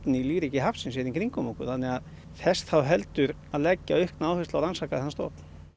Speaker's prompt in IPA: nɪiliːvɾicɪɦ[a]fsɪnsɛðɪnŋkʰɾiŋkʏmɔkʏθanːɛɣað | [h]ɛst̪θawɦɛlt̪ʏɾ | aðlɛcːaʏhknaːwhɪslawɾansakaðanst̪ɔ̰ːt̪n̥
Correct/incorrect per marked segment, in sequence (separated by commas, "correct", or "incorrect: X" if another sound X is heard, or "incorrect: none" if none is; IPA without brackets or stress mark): correct, incorrect: θ